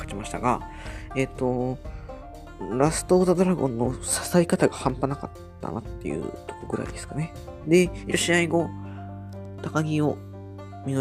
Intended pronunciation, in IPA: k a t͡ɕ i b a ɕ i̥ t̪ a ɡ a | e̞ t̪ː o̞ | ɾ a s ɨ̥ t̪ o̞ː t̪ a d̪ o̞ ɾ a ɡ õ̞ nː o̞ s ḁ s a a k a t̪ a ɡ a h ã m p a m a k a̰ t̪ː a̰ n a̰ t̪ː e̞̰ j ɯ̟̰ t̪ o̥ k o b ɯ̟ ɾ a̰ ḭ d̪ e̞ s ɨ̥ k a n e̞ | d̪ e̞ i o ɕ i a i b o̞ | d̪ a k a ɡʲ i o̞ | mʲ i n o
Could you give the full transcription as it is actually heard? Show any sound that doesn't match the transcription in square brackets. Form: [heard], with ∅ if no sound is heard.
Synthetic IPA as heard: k a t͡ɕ i [m] a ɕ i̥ t̪ a ɡ a | e̞ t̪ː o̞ | ɾ a s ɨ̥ t̪ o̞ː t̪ a d̪ o̞ ɾ a ɡ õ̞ nː o̞ s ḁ s a [i] k a t̪ a ɡ a h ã m p a [n] a k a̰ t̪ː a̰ n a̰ t̪ː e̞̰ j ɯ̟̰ t̪ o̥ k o [ɡ] ɯ̟ ɾ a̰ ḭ d̪ e̞ s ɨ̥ k a n e̞ | d̪ e̞ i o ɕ i a i [ɡ] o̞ | [t̪] a k a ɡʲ i o̞ | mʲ i n o